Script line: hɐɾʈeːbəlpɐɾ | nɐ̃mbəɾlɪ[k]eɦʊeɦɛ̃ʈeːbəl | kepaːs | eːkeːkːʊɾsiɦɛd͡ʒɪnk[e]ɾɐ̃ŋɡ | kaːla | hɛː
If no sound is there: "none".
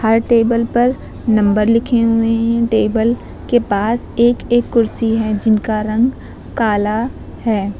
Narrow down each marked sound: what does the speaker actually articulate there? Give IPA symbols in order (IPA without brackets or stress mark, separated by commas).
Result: kʰ, a